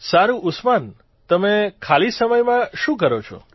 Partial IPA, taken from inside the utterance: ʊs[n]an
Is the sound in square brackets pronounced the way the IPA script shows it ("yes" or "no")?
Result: no